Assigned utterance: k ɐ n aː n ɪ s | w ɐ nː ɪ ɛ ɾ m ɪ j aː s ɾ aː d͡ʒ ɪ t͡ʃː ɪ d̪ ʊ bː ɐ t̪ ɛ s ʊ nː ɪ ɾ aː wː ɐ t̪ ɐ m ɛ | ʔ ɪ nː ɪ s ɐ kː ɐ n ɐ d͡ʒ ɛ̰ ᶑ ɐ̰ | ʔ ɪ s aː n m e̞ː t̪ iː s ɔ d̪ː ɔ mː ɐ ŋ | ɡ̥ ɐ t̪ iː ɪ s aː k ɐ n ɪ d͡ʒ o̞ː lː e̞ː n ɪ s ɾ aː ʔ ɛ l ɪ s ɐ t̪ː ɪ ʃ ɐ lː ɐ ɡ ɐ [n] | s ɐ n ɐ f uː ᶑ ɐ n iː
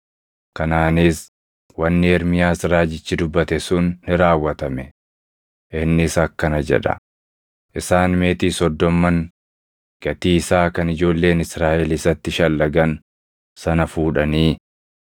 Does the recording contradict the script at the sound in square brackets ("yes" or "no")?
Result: no